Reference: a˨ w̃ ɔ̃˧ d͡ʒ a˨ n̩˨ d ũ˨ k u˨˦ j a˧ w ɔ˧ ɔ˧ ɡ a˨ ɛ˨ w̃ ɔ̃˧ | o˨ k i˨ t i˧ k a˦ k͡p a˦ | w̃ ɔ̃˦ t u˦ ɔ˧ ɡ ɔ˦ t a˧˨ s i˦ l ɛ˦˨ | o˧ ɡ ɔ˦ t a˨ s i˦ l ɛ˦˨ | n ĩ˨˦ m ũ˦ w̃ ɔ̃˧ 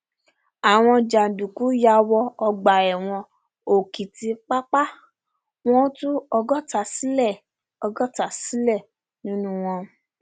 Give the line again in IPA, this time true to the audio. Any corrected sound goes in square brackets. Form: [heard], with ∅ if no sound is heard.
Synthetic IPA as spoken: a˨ w̃ ɔ̃˧ d͡ʒ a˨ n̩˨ d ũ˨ k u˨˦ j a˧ w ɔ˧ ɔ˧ [ɡ͡b] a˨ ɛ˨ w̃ ɔ̃˧ | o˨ k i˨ t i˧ [k͡p] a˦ k͡p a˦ | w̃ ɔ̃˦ t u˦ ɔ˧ ɡ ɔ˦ t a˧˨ s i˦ l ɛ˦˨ | [ɔ˧] ɡ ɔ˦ t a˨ s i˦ l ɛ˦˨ | n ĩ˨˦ [n] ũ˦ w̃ ɔ̃˧